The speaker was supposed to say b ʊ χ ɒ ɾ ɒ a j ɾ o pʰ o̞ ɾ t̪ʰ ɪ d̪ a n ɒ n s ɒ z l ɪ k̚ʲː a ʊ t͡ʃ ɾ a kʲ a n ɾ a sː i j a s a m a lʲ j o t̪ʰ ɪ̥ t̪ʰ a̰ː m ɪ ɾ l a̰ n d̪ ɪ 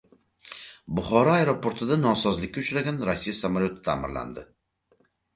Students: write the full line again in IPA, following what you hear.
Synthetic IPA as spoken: b ʊ χ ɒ ɾ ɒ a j ɾ o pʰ o̞ ɾ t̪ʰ ɪ d̪ a n ɒ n s ɒ z l ɪ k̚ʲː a ʊ t͡ʃ ɾ a ɡʲ a n ɾ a sː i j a s a m a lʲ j o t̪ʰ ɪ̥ t̪ʰ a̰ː m ɪ ɾ l a̰ n d̪ ɪ